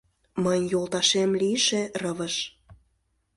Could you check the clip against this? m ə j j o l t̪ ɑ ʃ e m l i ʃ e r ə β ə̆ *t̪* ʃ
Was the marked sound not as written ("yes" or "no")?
yes